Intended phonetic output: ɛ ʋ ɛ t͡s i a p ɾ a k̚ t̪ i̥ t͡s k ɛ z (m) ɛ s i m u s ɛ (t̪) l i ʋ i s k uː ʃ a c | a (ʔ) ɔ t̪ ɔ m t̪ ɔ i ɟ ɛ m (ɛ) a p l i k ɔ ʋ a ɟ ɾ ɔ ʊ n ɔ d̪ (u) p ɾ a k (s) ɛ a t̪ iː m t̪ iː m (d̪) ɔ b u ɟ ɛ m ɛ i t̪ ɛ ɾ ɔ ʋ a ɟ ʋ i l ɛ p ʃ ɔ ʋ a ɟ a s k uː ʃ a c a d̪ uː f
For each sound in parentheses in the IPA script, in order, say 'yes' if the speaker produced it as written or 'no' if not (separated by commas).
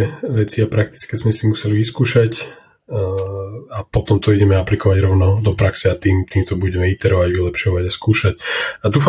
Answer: yes, no, no, yes, no, yes, no